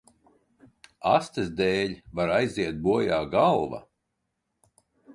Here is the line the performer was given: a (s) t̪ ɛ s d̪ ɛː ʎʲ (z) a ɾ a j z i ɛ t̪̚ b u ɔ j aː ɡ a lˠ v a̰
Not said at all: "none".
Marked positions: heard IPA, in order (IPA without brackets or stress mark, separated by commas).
s, v